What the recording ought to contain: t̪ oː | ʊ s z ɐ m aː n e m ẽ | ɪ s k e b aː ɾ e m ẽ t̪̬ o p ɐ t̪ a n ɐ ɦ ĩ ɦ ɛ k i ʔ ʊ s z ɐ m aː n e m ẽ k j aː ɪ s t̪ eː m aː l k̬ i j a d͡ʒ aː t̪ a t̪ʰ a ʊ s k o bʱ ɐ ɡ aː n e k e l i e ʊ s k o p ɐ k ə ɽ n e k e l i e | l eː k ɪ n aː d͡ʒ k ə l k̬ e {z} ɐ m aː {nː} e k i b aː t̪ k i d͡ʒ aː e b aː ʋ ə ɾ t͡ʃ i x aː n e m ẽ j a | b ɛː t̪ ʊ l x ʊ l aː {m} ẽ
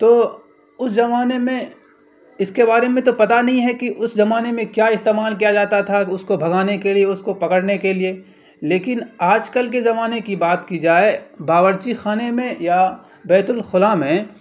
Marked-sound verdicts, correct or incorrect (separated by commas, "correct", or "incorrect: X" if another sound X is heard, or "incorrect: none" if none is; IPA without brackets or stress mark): correct, incorrect: n, correct